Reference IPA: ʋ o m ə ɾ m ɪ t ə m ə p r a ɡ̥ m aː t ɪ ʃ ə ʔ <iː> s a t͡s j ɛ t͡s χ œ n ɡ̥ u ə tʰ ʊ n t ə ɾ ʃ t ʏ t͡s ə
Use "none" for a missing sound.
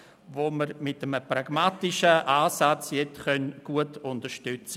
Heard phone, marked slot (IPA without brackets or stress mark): aː